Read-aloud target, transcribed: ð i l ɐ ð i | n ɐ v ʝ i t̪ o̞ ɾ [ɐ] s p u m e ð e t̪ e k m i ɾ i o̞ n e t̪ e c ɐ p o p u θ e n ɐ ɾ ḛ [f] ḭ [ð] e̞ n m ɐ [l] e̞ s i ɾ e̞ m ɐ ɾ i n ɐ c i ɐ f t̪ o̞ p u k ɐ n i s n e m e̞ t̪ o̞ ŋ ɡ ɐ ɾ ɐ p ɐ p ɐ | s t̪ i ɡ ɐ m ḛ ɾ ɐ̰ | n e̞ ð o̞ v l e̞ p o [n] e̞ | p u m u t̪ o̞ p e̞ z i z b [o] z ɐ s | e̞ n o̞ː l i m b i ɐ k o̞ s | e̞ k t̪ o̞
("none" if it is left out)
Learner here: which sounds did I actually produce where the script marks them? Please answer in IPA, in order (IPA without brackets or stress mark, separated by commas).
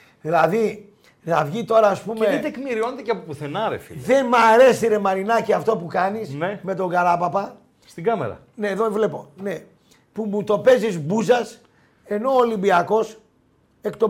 ɐː, f, ð, ɾ, n, u